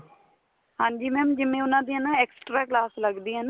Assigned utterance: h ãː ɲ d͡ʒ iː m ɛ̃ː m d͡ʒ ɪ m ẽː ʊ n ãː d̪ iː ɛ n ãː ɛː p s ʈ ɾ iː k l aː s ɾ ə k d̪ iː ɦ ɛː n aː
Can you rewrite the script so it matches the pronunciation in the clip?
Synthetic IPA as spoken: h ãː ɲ d͡ʒ iː m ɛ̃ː m d͡ʒ ɪ m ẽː ʊ n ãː d̪ iː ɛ n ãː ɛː k s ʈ ɾ aː k l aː s l ə ɡ d̪ iː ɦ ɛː n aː